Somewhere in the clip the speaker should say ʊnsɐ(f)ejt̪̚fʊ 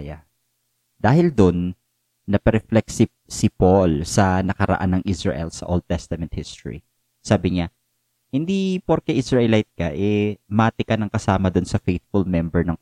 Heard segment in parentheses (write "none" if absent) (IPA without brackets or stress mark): f